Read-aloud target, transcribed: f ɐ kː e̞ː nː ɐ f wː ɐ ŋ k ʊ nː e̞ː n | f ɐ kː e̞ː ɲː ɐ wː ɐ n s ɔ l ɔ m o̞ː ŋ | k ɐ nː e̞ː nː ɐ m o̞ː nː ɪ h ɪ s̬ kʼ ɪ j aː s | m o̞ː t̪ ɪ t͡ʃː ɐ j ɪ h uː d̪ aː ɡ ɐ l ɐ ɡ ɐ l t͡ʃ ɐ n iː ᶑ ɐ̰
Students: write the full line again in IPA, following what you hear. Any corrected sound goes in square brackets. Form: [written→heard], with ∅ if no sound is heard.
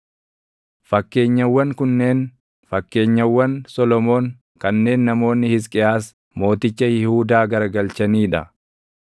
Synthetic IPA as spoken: f ɐ kː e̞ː [nː→ɲː] ɐ [f→∅] wː ɐ ŋ k ʊ nː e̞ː n | f ɐ kː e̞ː ɲː ɐ wː ɐ n s ɔ l ɔ m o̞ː ŋ | k ɐ nː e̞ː nː ɐ m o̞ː nː ɪ h ɪ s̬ kʼ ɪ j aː s | m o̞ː t̪ ɪ t͡ʃː ɐ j ɪ h uː d̪ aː ɡ ɐ [l→ɾ] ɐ ɡ ɐ l t͡ʃ ɐ n iː ᶑ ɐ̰